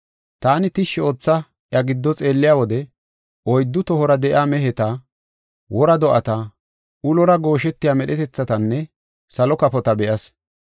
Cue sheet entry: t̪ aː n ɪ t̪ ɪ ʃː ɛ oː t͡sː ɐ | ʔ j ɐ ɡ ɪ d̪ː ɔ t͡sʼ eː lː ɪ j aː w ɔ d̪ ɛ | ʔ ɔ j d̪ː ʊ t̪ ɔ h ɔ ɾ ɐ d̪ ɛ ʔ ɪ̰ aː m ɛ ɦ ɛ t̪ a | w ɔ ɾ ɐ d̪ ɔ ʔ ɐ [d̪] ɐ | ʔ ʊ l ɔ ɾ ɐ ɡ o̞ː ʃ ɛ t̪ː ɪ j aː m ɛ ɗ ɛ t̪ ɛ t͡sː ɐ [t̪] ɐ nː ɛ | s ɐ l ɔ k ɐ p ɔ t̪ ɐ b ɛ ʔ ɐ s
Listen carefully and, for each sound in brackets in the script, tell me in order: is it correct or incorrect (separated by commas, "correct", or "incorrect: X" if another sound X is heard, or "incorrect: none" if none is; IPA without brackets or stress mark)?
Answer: incorrect: t̪, correct